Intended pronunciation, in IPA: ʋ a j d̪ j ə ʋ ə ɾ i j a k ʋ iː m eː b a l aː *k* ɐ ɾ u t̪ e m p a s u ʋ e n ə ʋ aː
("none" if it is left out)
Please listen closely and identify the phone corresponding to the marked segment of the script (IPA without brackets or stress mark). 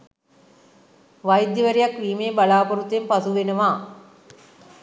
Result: p